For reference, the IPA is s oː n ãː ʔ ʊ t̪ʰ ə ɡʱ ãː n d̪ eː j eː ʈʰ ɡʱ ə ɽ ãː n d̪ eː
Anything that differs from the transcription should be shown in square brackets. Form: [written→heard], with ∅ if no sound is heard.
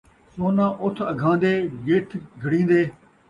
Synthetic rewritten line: s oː n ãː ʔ ʊ t̪ʰ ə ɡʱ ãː n d̪ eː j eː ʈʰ ɡʱ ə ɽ [ãː→ĩː] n d̪ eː